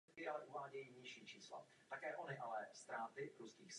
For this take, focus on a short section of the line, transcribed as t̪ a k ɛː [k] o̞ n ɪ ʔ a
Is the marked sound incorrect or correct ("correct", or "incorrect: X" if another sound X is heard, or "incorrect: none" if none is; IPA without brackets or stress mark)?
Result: incorrect: ʔ